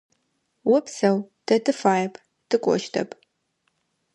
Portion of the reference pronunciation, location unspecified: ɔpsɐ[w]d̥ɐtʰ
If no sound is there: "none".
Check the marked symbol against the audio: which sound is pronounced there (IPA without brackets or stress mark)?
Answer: w